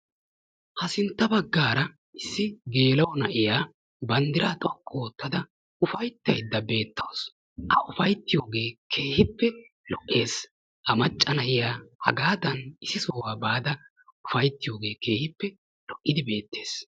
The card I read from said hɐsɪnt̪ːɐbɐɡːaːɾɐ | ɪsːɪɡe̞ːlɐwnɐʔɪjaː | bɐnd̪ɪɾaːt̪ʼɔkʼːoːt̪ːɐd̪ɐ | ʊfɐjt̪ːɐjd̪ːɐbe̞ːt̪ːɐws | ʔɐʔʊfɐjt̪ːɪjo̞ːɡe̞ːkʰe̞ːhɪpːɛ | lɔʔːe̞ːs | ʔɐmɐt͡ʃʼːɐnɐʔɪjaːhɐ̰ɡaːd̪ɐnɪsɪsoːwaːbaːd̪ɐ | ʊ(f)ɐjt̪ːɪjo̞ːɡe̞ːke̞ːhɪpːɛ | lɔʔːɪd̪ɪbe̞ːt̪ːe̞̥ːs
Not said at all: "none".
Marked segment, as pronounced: f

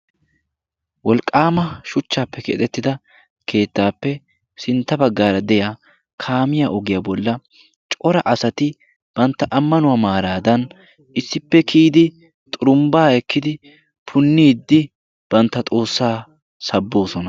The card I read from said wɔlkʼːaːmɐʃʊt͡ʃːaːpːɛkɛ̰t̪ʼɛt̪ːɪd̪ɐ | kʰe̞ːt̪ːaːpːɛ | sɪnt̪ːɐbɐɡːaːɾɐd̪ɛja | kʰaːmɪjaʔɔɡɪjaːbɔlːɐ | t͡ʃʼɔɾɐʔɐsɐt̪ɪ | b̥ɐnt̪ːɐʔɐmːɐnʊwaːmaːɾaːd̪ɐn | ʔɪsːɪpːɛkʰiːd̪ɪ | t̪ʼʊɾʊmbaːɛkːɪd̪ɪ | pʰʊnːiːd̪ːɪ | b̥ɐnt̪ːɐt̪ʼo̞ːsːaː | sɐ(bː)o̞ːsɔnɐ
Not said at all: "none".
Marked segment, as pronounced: bː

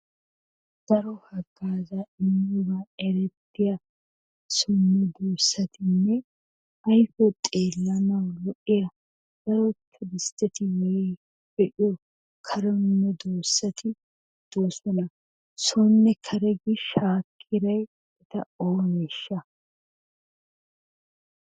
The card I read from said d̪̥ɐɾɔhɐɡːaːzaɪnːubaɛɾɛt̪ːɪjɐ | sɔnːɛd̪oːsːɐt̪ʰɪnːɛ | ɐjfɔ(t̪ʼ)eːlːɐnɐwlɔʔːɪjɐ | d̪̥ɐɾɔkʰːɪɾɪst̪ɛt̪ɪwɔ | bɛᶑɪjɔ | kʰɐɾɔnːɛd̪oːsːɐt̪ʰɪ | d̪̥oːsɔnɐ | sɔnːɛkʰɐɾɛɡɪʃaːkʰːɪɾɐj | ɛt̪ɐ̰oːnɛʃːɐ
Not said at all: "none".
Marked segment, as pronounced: t̪ʼ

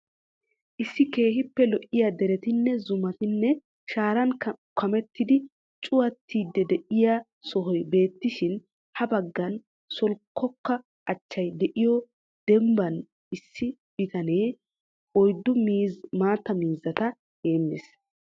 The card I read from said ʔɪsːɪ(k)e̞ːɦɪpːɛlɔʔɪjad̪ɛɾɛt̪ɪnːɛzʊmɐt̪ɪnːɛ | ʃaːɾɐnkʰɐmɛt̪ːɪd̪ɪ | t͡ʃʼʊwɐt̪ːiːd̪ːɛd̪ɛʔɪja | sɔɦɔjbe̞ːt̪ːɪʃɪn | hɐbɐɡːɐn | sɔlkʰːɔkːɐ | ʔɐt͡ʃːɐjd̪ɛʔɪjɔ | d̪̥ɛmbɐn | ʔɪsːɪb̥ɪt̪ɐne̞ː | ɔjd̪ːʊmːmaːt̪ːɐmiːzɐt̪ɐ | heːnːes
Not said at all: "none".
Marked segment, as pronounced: k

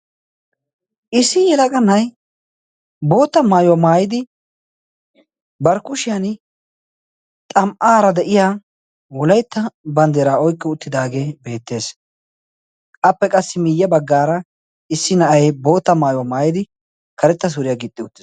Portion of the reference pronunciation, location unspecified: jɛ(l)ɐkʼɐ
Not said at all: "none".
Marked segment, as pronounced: l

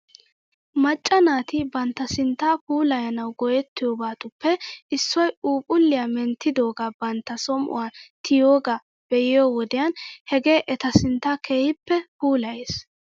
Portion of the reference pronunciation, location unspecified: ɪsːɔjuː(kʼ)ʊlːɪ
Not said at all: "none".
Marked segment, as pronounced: pʼ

